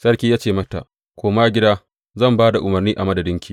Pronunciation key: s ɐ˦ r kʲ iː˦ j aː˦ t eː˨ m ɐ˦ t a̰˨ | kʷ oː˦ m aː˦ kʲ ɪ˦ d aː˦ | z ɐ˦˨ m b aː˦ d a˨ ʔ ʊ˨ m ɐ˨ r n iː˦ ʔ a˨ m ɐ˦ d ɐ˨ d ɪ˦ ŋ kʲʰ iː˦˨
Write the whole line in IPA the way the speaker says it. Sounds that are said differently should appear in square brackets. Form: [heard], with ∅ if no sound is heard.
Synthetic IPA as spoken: s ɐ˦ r kʲ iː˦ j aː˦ [t͡ʃ] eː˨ m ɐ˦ t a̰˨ | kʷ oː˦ m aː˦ [ɡʲ] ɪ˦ d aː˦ | z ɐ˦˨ m b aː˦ d a˨ ʔ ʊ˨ m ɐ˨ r n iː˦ ʔ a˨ m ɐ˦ d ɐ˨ d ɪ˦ ŋ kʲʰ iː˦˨